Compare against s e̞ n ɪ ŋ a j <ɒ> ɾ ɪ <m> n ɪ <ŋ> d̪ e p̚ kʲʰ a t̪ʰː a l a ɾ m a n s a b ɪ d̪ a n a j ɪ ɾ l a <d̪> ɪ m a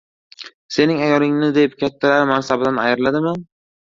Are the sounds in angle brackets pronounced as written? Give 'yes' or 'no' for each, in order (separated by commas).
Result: yes, no, no, yes